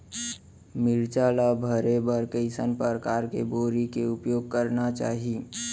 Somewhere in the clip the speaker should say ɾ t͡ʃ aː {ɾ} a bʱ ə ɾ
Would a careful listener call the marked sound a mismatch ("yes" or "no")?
yes